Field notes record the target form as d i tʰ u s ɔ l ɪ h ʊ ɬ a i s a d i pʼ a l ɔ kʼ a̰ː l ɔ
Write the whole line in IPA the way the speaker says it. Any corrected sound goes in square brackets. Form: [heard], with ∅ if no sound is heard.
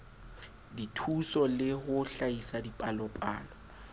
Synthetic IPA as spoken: d i tʰ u s ɔ l ɪ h ʊ ɬ a i s a d i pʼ a l ɔ [pʼ] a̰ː l ɔ